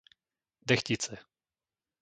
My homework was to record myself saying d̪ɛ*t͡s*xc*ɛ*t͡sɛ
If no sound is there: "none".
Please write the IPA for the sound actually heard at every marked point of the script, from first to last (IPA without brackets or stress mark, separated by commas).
none, i